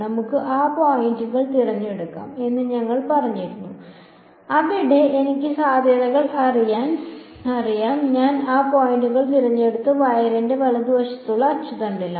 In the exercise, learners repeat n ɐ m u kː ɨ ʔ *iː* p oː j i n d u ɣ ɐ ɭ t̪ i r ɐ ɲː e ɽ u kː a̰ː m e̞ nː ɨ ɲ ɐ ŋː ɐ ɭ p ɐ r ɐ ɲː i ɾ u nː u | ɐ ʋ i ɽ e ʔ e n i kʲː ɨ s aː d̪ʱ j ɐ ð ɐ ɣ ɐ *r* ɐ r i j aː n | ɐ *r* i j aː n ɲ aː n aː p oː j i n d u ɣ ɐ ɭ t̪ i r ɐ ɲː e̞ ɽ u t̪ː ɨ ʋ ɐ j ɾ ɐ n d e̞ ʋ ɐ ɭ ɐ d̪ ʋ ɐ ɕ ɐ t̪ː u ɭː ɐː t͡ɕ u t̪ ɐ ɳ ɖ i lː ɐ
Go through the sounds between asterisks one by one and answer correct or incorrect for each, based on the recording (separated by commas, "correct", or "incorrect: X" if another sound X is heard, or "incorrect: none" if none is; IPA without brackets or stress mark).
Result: incorrect: aː, incorrect: ɭ, correct